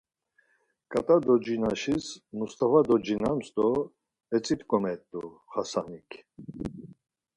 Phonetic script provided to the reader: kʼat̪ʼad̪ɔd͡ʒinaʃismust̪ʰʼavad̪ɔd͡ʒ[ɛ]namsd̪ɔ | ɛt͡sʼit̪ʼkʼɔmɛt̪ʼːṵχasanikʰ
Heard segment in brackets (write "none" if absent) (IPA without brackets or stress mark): i